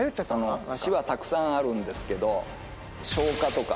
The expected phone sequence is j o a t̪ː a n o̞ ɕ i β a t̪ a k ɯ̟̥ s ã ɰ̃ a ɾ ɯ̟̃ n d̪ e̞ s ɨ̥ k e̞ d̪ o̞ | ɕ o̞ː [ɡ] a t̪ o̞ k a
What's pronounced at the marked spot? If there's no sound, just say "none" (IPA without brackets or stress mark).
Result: k